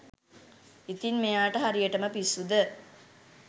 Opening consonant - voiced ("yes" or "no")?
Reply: no